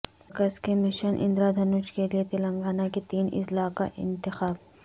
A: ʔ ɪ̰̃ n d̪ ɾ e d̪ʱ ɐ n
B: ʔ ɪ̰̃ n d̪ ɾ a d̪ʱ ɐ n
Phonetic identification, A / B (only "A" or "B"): B